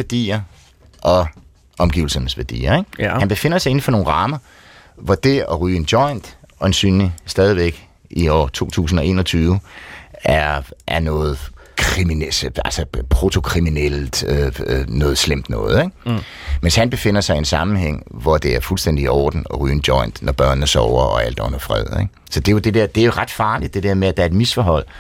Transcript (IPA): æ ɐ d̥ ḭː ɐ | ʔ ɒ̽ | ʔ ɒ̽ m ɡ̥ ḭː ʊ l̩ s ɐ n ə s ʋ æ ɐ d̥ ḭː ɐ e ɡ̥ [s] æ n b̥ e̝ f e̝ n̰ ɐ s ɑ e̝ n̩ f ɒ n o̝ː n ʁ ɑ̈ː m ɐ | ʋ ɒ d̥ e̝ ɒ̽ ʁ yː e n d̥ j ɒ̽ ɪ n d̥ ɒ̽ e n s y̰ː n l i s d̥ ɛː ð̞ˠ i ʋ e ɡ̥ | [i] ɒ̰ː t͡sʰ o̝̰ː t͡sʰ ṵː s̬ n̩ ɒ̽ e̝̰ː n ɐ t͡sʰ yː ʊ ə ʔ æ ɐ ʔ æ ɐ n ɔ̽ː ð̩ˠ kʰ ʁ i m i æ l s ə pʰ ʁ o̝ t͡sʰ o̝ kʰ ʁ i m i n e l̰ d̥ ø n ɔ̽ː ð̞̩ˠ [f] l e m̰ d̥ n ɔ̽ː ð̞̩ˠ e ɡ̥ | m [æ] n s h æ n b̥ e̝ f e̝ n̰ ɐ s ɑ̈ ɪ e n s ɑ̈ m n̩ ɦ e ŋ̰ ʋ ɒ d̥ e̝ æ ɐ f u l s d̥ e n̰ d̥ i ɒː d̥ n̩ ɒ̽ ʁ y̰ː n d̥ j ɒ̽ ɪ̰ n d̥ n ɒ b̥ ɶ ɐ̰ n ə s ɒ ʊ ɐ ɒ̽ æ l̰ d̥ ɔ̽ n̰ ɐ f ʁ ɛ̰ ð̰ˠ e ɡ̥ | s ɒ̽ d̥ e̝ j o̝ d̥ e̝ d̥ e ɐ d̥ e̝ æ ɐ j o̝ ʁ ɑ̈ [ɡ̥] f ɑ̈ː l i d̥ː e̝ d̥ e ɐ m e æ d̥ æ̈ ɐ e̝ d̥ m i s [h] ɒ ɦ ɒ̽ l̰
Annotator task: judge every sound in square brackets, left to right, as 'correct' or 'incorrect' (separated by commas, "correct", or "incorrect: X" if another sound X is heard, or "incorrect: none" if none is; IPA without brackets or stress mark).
incorrect: h, correct, incorrect: s, incorrect: e, incorrect: d̥, incorrect: f